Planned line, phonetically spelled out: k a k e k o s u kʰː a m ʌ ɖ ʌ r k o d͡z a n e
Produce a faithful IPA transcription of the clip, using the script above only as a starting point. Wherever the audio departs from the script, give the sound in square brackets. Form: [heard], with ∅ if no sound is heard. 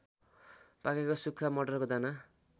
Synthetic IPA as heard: [p] a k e k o s u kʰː a m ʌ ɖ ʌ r k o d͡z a n [a]